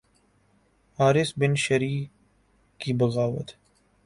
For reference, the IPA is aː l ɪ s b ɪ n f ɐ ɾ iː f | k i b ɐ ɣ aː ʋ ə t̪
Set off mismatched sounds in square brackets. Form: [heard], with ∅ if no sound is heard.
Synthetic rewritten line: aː [ɾ] ɪ s b ɪ n [ʃ] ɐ ɾ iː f | k i b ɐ ɣ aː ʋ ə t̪